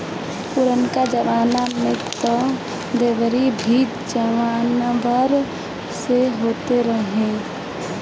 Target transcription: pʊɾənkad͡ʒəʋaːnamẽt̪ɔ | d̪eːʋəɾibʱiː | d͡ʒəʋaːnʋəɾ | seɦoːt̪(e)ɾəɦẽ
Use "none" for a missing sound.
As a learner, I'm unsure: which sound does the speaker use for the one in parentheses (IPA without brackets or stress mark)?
e